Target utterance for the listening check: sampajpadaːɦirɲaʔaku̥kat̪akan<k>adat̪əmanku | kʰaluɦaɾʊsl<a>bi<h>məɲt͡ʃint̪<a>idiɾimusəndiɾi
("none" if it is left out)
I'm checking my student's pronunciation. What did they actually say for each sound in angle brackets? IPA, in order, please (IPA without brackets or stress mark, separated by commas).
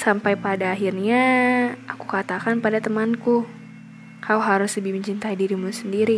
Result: p, ə, h, a